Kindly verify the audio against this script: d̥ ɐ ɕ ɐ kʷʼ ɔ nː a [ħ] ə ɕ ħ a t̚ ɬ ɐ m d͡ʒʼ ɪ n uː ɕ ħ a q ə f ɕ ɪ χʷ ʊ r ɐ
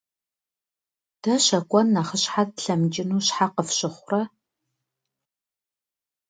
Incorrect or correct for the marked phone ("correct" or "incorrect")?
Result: incorrect